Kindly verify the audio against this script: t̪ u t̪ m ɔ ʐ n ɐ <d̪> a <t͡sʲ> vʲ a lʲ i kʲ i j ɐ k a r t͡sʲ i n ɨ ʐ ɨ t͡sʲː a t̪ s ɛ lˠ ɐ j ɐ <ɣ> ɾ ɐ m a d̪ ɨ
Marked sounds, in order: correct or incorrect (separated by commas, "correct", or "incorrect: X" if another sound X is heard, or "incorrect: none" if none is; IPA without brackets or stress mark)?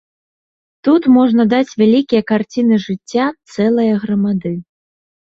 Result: correct, correct, correct